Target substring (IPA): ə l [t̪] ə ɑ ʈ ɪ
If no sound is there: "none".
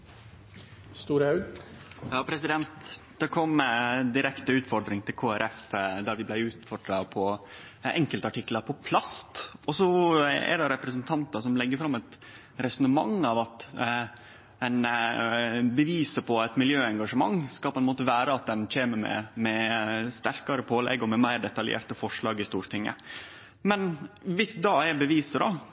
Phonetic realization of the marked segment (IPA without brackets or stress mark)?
t̪